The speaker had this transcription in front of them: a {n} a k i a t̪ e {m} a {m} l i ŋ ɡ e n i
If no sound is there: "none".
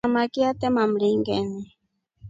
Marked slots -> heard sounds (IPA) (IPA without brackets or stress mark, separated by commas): m, m, m